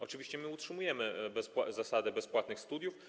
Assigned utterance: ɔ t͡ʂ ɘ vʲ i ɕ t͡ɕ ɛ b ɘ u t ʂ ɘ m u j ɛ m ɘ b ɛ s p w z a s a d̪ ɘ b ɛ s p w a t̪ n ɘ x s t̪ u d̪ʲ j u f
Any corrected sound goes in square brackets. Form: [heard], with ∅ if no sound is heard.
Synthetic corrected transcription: ɔ t͡ʂ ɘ vʲ i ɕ t͡ɕ ɛ [m] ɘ u t ʂ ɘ m u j ɛ m ɘ b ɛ s p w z a s a d̪ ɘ b ɛ s p w a t̪ n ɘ x s t̪ u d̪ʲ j u f